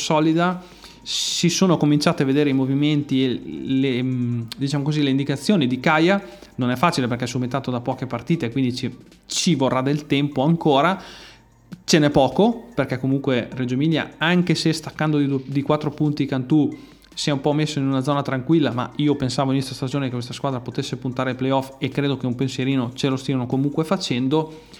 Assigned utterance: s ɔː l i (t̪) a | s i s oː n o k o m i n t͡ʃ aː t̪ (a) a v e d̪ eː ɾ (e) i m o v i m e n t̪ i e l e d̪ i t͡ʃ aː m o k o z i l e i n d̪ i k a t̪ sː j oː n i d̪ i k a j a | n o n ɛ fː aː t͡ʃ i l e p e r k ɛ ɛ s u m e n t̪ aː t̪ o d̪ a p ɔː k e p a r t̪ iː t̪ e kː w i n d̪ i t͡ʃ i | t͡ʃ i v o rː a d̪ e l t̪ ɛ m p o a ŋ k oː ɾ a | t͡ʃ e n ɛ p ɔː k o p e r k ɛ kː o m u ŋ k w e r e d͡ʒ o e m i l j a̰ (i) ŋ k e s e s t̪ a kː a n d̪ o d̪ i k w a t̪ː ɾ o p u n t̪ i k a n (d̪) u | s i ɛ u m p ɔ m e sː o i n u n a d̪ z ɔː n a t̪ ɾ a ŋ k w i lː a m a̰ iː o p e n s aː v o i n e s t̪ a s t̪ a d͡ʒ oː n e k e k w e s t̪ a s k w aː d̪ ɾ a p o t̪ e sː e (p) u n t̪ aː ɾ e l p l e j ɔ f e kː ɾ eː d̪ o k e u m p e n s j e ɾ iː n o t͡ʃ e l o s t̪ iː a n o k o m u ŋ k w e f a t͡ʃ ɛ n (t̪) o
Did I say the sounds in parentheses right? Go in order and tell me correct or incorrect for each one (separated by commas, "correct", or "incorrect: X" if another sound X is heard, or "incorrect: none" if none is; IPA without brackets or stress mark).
incorrect: d̪, incorrect: e, correct, incorrect: a, incorrect: t̪, correct, incorrect: d̪